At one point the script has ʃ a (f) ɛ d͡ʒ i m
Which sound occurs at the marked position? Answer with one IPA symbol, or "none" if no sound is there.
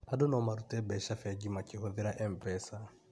f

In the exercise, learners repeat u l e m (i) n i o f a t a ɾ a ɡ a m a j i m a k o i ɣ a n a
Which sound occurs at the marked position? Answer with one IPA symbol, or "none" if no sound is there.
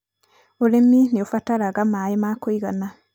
i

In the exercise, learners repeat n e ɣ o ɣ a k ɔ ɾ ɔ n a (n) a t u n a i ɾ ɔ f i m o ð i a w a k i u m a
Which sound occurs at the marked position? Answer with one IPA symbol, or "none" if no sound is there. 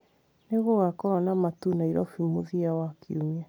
m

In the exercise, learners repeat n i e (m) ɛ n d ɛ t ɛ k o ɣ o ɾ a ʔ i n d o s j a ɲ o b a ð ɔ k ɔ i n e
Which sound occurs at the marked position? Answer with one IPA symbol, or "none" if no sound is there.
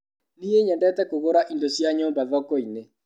ɲ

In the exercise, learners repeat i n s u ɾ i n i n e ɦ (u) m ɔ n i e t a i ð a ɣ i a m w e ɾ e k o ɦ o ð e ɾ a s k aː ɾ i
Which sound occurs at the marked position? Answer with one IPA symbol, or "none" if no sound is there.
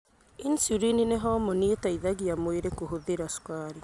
ɔ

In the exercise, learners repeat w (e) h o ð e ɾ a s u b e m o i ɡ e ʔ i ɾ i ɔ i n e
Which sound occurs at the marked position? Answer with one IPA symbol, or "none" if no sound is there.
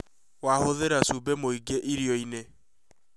a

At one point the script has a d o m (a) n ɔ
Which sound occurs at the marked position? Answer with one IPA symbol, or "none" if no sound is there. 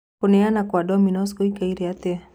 i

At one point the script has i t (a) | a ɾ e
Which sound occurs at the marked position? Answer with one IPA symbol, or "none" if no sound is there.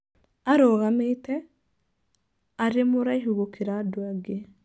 ɛ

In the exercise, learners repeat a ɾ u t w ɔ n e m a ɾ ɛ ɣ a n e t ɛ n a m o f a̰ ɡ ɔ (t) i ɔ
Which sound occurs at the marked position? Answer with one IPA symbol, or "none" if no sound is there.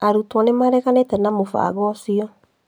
s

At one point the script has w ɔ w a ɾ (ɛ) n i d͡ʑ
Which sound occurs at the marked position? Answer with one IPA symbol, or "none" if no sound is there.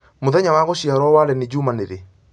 ɛ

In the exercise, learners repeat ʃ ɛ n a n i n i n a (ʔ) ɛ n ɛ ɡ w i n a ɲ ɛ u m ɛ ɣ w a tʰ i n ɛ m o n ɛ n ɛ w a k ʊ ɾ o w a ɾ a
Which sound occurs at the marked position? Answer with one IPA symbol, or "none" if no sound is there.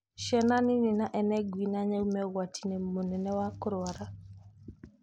ʔ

